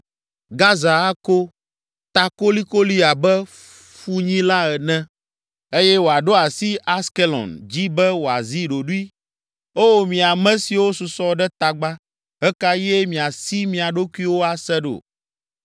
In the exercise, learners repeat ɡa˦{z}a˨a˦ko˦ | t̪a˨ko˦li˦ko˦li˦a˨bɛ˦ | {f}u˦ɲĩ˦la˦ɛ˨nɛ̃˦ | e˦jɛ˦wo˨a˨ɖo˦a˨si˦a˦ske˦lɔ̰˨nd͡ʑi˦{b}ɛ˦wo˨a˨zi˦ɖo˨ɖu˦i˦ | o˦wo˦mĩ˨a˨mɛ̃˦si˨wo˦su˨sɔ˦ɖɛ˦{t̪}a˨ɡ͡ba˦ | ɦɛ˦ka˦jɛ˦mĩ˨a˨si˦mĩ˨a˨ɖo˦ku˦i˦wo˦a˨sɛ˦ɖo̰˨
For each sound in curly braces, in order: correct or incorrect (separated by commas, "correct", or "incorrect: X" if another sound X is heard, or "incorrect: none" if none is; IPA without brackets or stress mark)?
correct, correct, correct, correct